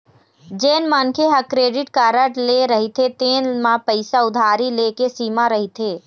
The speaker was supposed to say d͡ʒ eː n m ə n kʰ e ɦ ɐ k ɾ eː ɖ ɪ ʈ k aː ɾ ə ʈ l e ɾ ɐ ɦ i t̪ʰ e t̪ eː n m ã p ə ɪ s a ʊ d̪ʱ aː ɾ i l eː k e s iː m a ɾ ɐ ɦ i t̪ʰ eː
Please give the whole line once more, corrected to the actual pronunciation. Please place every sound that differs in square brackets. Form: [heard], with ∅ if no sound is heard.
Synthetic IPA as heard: d͡ʒ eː n m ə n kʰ e ɦ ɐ k ɾ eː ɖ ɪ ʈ k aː ɾ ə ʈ l e ɾ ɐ ɦ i t̪ʰ e t̪ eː n m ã p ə ɪ s a ʊ d̪ʱ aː ɾ i l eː k e s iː m a ɾ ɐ ɦ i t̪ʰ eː